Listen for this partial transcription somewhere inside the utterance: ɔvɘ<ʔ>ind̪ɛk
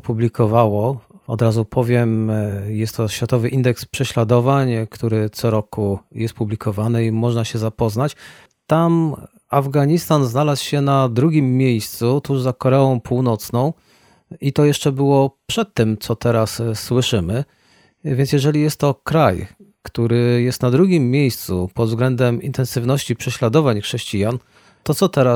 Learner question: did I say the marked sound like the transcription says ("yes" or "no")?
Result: yes